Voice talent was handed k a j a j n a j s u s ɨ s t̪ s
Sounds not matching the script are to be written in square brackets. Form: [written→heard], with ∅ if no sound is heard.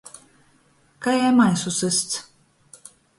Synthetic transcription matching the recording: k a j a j [n→m] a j s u s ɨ s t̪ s